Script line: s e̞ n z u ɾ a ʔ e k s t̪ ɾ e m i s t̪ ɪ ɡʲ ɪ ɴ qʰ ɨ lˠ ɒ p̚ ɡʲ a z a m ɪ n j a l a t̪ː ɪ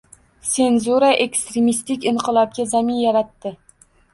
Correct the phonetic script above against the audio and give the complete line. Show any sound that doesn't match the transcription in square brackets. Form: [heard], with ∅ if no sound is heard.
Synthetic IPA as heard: s e̞ n z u ɾ a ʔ e k s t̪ ɾ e m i s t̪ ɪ [kʲ] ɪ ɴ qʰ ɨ lˠ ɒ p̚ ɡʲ a z a m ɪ n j a [ɾ] a t̪ː ɪ